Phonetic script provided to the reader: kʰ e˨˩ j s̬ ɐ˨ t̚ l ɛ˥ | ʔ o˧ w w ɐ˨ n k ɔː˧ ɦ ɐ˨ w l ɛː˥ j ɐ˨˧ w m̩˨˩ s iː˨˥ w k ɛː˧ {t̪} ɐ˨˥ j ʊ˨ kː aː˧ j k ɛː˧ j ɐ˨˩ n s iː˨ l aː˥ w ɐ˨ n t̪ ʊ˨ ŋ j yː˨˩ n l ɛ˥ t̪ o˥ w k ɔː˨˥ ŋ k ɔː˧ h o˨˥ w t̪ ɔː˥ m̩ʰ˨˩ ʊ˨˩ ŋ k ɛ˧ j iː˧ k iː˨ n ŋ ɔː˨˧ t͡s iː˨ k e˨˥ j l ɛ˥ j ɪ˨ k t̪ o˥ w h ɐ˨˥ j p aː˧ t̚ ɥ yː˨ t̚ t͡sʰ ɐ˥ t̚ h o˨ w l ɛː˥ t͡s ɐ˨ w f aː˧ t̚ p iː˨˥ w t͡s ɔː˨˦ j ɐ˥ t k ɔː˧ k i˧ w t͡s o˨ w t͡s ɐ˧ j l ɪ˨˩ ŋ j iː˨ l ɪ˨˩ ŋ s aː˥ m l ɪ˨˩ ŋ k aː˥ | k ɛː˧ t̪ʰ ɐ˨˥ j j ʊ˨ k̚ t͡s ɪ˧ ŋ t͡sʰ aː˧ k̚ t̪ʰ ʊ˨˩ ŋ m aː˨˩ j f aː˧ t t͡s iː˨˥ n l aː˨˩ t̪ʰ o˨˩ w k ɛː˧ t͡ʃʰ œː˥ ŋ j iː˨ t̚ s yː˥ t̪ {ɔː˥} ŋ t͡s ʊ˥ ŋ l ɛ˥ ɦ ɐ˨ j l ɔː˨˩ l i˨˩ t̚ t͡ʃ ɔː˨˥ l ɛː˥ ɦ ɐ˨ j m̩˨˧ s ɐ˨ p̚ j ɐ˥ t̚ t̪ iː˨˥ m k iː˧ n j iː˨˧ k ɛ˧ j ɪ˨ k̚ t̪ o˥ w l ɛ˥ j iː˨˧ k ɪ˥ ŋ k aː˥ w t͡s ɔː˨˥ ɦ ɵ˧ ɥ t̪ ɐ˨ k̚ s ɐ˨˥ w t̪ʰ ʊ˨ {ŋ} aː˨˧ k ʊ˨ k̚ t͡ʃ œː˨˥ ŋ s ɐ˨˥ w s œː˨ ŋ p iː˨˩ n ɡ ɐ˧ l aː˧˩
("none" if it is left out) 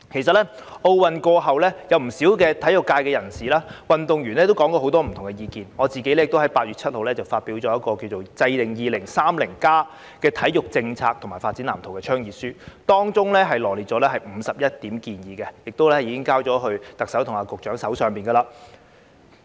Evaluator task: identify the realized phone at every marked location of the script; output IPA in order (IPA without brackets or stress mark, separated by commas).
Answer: t̪ʰ, ɔː˥, ŋ